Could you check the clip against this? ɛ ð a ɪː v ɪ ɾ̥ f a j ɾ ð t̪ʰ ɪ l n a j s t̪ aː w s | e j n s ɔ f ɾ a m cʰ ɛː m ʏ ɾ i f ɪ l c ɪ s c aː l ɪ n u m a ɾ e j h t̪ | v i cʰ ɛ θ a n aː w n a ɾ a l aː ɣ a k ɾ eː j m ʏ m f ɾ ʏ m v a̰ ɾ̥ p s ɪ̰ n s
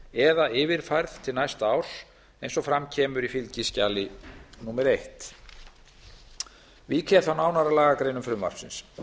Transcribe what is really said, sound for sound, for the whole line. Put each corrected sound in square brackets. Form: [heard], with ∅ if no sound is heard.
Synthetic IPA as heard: ɛ ð a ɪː v ɪ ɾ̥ f a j ɾ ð t̪ʰ ɪ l n a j s t̪ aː w s | e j n s ɔ f ɾ a m cʰ ɛː m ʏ ɾ i f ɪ l c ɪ s c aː l ɪ n u m [ɛ] ɾ e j h t̪ | v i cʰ ɛ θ a n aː w n a ɾ a l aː ɣ a k ɾ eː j [n] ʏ m f ɾ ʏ m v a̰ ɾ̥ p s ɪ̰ n s